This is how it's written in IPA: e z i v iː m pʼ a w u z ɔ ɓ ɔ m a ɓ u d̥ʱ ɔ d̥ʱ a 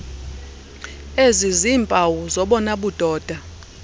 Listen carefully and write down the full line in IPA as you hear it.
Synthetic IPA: e z i z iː m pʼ a w u z ɔ ɓ ɔ n a ɓ u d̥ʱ ɔː d̥ʱ a